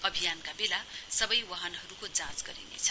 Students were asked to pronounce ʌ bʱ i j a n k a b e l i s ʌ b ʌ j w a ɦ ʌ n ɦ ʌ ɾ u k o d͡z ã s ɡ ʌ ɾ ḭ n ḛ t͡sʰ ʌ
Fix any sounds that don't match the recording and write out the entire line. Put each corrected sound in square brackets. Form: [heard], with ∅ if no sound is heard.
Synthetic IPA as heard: ʌ bʱ i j a n k a b e l [a] s ʌ b ʌ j w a ɦ ʌ n ɦ ʌ ɾ u k o d͡z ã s ɡ ʌ ɾ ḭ n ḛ t͡sʰ ʌ